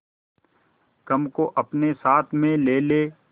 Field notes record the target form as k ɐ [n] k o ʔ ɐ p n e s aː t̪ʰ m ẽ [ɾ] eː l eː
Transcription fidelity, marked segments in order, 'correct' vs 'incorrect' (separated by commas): incorrect, incorrect